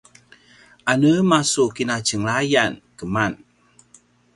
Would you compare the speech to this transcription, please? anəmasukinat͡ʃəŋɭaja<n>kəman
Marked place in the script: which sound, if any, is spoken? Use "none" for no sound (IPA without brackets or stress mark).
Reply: n